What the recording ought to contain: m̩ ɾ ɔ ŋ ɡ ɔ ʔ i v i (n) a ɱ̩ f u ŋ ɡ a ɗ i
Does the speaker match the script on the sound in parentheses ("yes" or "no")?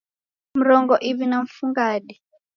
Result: yes